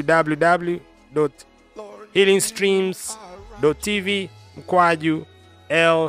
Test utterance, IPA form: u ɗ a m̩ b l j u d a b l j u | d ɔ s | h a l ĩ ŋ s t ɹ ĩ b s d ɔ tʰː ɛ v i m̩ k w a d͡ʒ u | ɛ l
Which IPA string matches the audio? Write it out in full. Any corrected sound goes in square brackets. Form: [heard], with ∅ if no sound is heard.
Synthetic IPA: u [d] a [∅] b l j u d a b l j u | d ɔ [t] | h [i] l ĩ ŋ s t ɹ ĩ [m] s d ɔ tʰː [i] v i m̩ k w a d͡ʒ u | ɛ l